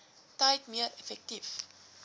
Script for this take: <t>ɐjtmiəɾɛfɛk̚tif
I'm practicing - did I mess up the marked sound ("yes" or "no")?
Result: no